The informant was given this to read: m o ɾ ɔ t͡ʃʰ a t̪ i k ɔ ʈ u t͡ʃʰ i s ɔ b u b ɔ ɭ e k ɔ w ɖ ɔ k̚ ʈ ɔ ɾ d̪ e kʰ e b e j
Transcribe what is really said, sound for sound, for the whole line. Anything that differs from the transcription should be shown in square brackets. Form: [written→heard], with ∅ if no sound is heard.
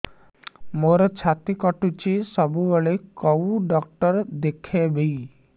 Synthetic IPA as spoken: m o ɾ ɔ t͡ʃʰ a t̪ i k ɔ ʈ u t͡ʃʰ i s ɔ b u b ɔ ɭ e k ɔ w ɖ ɔ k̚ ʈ ɔ ɾ d̪ e kʰ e b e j